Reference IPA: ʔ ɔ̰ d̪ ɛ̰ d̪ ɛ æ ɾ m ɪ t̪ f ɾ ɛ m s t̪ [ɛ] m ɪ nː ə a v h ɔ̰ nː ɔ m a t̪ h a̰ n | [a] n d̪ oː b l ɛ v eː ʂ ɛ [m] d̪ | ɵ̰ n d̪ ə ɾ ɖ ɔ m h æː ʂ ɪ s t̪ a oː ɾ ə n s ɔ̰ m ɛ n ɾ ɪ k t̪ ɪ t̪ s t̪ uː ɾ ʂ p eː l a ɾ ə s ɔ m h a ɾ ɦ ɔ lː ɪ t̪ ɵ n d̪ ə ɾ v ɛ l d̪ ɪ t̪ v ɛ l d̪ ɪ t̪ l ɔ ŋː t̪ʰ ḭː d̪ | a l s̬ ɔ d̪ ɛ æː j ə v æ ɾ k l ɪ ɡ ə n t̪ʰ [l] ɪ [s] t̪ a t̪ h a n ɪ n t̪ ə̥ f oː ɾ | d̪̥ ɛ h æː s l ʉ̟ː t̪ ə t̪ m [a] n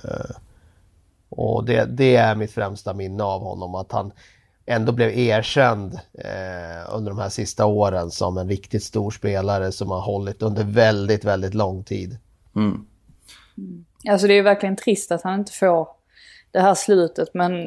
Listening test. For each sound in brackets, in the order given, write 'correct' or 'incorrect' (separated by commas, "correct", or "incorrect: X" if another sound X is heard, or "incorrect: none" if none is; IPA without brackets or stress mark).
incorrect: a, incorrect: ɛ, incorrect: n, incorrect: ɾ, correct, incorrect: ɛ